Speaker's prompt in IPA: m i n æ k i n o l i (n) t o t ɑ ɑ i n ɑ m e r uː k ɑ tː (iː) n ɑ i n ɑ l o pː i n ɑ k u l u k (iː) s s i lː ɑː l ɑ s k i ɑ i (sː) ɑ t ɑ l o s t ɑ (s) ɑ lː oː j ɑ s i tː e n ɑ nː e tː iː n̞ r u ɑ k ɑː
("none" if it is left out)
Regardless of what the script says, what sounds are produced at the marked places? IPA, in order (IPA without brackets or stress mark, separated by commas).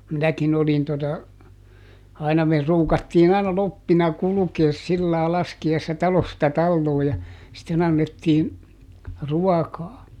n, iː, eː, sː, t